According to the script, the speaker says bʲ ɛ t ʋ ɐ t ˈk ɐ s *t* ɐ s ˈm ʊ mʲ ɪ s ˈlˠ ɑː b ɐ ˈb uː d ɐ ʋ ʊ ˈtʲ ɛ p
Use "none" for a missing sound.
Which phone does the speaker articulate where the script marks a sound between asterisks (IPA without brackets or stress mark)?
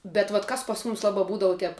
p